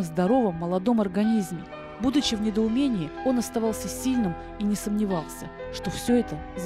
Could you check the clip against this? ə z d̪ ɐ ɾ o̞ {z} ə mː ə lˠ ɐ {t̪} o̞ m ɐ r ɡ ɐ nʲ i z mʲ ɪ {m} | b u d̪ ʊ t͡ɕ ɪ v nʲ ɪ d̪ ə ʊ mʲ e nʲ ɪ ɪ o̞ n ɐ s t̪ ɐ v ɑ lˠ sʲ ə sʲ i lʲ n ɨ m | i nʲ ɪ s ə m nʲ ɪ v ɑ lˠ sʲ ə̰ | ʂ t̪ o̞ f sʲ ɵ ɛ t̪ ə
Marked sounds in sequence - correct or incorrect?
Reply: incorrect: v, incorrect: d̪, incorrect: none

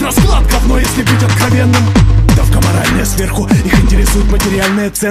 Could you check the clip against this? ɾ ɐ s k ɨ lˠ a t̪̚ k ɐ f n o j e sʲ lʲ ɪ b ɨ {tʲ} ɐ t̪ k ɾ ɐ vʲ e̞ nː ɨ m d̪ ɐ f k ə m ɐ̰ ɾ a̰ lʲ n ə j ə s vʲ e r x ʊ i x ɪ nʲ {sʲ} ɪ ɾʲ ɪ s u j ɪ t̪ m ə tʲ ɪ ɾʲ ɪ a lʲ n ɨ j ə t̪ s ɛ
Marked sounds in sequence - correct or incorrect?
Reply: correct, incorrect: tʲ

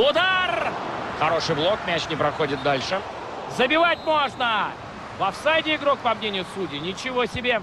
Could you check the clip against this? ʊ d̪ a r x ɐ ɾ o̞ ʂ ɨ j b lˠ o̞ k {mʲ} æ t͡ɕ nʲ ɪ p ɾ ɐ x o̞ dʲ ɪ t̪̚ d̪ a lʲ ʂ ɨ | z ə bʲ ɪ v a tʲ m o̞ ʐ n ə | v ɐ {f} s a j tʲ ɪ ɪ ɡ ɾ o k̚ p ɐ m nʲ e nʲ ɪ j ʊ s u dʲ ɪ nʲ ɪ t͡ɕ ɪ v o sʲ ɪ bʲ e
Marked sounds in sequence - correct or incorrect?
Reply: correct, correct

